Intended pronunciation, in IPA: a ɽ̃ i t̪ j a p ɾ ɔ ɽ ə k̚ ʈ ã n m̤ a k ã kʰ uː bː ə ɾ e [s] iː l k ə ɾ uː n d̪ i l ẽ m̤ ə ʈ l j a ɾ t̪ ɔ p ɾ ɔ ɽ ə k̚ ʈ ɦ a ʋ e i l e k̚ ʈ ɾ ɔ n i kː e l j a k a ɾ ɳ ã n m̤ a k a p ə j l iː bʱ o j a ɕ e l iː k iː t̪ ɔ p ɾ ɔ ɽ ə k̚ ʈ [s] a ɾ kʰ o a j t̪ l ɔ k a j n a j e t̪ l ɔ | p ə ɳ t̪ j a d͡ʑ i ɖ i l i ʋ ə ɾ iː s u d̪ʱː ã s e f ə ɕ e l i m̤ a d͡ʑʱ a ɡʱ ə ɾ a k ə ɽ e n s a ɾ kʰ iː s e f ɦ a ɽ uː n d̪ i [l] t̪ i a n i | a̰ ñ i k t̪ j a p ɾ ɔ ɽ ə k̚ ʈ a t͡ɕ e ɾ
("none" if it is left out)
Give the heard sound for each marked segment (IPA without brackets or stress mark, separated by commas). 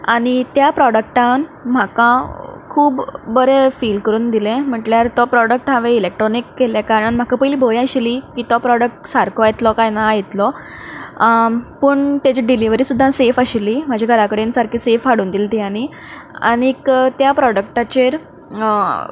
f, s, l